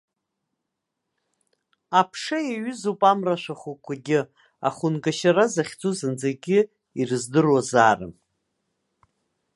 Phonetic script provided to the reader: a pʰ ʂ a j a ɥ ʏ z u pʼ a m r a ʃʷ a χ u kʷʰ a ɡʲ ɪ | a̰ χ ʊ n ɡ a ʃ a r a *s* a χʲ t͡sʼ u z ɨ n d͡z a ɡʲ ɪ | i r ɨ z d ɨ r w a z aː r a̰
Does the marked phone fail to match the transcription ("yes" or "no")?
yes